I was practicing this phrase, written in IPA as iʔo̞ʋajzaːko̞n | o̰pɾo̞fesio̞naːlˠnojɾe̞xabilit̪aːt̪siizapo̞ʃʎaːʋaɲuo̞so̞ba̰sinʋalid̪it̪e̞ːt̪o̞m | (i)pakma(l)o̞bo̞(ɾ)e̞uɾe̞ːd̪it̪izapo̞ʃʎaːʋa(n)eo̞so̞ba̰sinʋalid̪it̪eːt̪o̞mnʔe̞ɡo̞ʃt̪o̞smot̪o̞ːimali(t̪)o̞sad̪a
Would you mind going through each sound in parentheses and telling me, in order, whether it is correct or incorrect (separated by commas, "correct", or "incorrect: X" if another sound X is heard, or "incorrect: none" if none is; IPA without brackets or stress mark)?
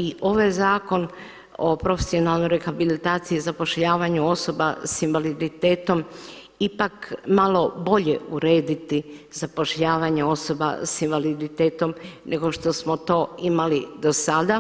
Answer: correct, correct, incorrect: ʎ, incorrect: ɲ, incorrect: d̪